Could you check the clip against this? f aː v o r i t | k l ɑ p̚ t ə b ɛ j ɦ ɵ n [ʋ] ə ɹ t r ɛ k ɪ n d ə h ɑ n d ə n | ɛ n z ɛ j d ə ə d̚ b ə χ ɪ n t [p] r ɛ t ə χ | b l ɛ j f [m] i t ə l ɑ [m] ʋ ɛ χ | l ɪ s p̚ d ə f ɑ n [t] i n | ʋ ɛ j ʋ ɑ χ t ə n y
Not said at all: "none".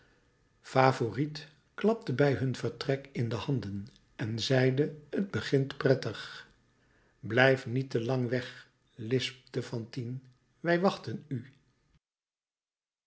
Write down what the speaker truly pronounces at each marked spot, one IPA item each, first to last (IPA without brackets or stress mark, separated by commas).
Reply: v, p, n, ŋ, t